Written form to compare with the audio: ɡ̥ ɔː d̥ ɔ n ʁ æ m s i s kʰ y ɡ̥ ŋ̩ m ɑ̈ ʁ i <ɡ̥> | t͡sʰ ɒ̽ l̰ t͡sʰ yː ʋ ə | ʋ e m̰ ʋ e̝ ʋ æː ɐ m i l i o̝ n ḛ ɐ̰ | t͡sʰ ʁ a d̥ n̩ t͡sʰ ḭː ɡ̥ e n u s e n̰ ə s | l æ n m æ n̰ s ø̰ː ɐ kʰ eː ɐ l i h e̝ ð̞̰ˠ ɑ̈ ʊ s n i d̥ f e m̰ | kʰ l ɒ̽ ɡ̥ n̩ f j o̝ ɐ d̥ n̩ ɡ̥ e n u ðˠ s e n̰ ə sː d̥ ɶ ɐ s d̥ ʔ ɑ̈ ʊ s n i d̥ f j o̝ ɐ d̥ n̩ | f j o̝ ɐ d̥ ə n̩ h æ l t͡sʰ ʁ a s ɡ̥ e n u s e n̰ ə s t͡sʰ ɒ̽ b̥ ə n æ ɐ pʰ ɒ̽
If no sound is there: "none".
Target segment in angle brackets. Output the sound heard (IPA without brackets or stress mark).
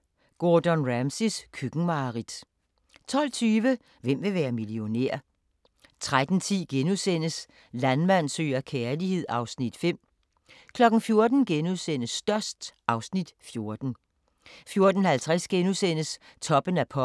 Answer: d̥